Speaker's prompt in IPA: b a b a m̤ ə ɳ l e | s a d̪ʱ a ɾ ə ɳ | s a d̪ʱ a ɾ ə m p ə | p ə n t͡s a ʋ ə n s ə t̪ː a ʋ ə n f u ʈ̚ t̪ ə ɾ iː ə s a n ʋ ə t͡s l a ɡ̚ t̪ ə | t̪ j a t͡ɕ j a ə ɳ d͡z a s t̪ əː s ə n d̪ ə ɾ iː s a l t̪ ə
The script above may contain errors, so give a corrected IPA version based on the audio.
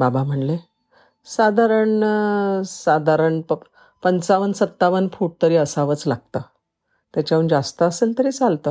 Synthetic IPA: b a b a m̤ ə ɳ l e | s a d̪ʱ a ɾ ə ɳ | s a d̪ʱ a ɾ ə ɳ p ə | p ə n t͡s a ʋ ə n s ə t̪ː a ʋ ə n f u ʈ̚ t̪ ə ɾ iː ə s a ʋ ə t͡s l a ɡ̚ t̪ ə | t̪ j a t͡ɕ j a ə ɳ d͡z a s t̪ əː s ə n t̪ ə ɾ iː t͡s a l t̪ ə